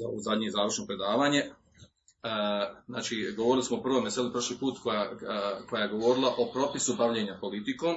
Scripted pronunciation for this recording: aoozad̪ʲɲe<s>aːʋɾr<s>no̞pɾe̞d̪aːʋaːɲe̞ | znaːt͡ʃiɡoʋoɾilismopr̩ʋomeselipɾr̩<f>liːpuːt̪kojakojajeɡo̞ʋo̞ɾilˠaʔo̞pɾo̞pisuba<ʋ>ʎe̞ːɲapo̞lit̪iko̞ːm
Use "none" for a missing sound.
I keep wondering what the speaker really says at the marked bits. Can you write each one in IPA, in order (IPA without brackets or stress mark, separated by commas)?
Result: z, ʃ, ʃ, ʋ